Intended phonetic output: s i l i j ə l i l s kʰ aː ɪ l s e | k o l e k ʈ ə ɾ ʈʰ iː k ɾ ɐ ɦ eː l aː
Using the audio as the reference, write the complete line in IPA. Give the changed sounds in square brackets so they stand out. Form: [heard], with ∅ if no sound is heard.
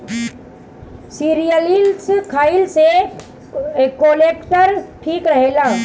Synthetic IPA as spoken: s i [ɾ] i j ə l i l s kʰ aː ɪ l s e | k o l e k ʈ ə ɾ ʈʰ iː k ɾ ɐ ɦ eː l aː